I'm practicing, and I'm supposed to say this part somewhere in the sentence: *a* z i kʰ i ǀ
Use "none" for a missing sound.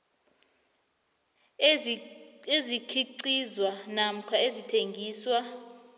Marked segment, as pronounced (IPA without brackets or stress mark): e